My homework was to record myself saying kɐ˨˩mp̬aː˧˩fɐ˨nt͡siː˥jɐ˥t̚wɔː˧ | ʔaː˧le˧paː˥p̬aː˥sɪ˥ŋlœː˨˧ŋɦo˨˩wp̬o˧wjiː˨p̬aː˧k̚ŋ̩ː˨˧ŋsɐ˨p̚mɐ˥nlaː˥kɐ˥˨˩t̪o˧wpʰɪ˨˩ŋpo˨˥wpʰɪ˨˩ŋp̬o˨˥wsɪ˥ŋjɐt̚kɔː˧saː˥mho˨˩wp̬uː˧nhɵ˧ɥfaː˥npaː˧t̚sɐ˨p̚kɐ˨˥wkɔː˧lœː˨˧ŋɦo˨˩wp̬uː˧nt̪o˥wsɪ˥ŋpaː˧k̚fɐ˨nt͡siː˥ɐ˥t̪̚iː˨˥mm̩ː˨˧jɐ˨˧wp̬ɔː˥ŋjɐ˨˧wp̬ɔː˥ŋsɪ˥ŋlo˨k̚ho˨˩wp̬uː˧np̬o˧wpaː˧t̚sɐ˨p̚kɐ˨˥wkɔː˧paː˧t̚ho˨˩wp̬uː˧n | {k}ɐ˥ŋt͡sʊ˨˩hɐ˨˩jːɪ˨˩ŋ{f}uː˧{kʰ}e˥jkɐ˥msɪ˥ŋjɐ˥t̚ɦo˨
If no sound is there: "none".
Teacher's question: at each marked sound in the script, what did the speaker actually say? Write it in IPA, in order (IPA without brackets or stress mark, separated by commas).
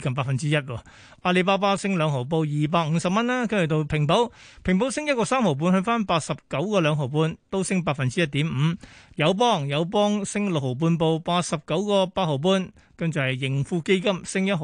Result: k, f, k